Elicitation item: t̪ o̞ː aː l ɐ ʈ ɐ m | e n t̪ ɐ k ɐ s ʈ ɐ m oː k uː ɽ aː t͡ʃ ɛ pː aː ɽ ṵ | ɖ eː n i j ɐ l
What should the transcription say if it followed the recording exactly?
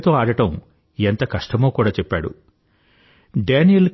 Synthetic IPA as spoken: t̪ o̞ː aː ɽ ɐ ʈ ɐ m | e n t̪ ɐ k ɐ ʂ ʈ ɐ m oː k uː ɽ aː t͡ʃ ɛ pː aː ɽ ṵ | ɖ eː n i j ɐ l

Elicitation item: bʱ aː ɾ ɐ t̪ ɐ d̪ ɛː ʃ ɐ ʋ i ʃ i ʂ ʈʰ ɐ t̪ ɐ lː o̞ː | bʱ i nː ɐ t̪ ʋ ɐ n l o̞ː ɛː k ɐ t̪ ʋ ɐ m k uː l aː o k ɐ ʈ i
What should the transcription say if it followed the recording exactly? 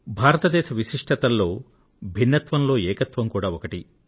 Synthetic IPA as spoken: bʱ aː ɾ ɐ t̪ ɐ d̪ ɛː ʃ ɐ ʋ i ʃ i ʂ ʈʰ ɐ t̪ ɐ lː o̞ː | bʱ i nː ɐ t̪ ʋ ɐ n l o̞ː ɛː k ɐ t̪ ʋ ɐ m k uː ɽ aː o k ɐ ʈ i

